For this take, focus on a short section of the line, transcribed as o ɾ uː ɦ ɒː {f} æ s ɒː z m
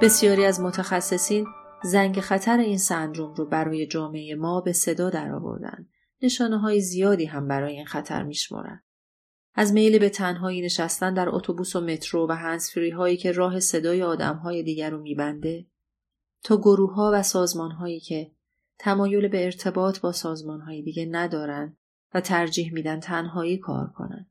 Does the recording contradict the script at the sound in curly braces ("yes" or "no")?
yes